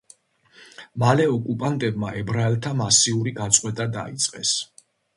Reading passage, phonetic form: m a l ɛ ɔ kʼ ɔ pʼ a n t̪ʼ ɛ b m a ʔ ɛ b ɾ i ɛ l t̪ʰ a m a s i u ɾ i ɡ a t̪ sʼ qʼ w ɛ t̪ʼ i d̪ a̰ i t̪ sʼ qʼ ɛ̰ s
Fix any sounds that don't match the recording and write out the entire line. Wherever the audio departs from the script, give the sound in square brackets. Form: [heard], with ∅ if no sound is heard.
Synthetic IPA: m a l ɛ ɔ kʼ [u] pʼ a n t̪ʼ ɛ b m a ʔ ɛ b ɾ [a] ɛ l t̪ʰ a m a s i u ɾ i ɡ a t̪ sʼ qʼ w ɛ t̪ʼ [a] d̪ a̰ i t̪ sʼ qʼ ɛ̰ s

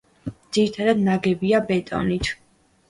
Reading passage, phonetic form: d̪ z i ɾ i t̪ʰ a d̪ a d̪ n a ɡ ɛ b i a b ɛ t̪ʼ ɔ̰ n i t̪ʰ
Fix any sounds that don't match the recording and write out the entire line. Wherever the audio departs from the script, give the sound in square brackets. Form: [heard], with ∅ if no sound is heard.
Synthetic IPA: d̪ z i ɾ i t̪ʰ a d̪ a d̪ n a ɡ ɛ b i a b ɛ t̪ʼ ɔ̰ n i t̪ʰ

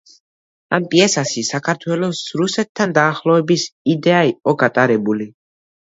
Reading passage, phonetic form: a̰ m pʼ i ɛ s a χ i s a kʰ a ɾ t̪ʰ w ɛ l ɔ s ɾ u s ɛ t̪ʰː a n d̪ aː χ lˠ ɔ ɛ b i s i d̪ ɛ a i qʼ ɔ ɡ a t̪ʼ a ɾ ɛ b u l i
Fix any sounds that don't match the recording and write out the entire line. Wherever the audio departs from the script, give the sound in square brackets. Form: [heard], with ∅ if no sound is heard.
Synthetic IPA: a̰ m pʼ i ɛ s a [ʃ] i s a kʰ a ɾ t̪ʰ w ɛ l ɔ s ɾ u s ɛ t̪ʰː a n d̪ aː χ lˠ ɔ ɛ b i s i d̪ ɛ a i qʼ ɔ ɡ a t̪ʼ a ɾ ɛ b u l i

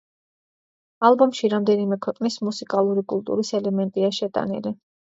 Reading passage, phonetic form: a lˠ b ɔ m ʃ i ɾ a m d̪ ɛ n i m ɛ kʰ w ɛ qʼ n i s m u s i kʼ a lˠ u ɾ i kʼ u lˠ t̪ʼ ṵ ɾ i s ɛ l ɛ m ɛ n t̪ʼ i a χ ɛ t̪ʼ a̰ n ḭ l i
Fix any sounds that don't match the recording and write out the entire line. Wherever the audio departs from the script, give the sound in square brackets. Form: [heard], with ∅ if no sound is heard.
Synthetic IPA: a lˠ b ɔ m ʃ i ɾ a m d̪ ɛ n i m ɛ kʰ w ɛ qʼ n i s m u s i kʼ a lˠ u ɾ i kʼ u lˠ t̪ʼ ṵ ɾ i s ɛ l ɛ m ɛ n t̪ʼ i a [ʃ] ɛ t̪ʼ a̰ n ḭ l i

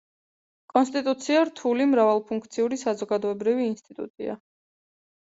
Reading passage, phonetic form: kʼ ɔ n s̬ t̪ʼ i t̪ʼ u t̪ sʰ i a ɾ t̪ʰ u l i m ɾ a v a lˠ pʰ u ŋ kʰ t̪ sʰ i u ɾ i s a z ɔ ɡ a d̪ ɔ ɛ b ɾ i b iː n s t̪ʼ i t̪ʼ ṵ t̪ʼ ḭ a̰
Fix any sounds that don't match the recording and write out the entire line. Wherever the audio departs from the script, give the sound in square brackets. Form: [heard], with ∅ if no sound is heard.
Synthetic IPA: kʼ ɔ n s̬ t̪ʼ i t̪ʼ u t̪ sʰ i a ɾ t̪ʰ u l i m ɾ a v a lˠ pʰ u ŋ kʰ t̪ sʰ i u ɾ i s a z ɔ ɡ a d̪ ɔ ɛ b ɾ i [v] iː n s t̪ʼ i t̪ʼ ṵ t̪ʼ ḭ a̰

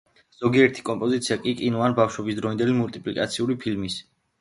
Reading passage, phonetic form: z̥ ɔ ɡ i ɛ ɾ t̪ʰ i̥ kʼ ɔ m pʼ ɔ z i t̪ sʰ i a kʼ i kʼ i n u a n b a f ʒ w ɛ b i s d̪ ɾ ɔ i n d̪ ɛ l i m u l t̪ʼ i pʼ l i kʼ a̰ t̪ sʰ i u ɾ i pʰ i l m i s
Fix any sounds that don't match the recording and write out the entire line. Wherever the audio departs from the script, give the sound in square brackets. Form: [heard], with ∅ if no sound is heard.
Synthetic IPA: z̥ ɔ ɡ i ɛ ɾ t̪ʰ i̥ kʼ ɔ m pʼ ɔ z i t̪ sʰ i a kʼ i kʼ i n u a n b a f [ʃ] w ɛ b i s d̪ ɾ ɔ i n d̪ ɛ l i m u l t̪ʼ i pʼ l i kʼ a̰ t̪ sʰ i u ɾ i pʰ i l m i s

